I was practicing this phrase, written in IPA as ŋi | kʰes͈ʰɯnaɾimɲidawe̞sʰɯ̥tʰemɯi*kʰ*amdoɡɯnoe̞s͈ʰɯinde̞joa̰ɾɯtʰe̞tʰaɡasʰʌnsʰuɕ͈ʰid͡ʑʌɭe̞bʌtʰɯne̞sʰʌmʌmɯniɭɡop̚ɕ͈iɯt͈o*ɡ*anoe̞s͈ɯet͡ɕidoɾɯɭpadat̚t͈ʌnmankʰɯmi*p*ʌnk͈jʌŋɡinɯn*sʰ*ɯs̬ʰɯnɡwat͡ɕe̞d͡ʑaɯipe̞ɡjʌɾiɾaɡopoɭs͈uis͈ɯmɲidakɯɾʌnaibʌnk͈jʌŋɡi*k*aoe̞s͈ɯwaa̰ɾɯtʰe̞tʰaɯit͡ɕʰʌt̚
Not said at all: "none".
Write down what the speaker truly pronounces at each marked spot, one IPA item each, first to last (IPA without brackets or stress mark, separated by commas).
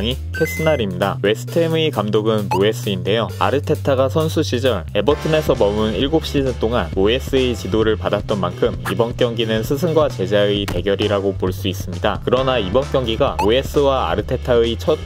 k, ŋ, b, sʰ, ɡ